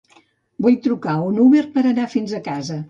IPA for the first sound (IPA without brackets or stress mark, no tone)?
b